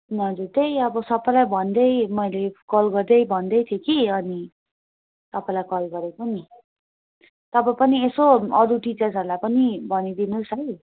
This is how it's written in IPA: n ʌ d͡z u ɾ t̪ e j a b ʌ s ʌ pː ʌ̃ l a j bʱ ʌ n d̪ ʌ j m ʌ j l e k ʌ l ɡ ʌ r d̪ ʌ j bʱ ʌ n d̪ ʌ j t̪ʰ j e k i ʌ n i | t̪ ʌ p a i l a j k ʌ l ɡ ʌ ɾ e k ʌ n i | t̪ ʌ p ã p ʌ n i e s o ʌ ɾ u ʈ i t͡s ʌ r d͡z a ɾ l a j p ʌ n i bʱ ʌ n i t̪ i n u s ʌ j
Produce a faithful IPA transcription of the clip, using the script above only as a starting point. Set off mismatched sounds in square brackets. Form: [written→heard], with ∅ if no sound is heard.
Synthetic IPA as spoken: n ʌ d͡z u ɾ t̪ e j [a→ʌ] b ʌ s ʌ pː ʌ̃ l a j bʱ ʌ n d̪ ʌ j m ʌ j l e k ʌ l ɡ ʌ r d̪ ʌ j bʱ ʌ n d̪ ʌ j t̪ʰ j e k i ʌ n i | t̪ ʌ p a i l a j k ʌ l ɡ ʌ ɾ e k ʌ n i | t̪ ʌ p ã p ʌ n i e s o ʌ ɾ u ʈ i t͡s ʌ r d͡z [a→ʌ] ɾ l a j p ʌ n i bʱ ʌ n i [t̪→d̪] i n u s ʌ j